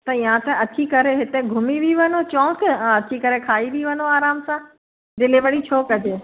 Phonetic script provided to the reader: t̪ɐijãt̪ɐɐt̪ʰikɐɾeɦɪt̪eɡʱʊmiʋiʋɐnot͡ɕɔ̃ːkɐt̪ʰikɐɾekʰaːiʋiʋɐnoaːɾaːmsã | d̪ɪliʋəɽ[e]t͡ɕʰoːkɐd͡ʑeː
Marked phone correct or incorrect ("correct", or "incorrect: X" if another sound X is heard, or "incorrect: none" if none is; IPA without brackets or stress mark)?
incorrect: i